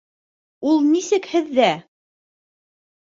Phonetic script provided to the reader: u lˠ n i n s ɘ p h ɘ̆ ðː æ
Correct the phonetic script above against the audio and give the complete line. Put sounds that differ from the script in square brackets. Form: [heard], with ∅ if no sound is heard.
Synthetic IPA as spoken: u lˠ n i [∅] s ɘ [k] h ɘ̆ ðː æ